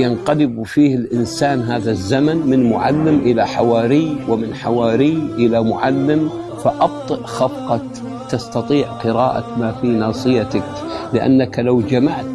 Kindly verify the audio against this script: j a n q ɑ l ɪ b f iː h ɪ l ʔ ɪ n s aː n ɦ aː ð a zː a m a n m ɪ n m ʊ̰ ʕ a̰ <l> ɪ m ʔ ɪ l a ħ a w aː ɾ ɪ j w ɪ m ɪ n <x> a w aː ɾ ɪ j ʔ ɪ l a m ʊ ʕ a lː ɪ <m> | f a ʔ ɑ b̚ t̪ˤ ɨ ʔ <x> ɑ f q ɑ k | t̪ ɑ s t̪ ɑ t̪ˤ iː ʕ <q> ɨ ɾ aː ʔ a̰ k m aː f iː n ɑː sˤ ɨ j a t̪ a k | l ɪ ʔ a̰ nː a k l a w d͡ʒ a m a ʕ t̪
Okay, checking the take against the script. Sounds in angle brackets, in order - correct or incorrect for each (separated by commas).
incorrect, incorrect, correct, correct, correct